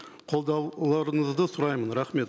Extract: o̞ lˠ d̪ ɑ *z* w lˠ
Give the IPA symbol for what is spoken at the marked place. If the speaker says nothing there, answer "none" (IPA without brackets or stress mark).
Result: none